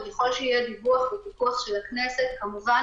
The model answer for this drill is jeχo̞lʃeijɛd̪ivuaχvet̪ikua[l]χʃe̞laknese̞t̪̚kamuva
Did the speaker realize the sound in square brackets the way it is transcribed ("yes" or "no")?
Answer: no